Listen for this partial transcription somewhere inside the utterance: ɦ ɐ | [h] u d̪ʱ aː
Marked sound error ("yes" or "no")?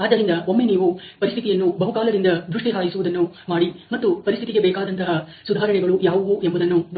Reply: yes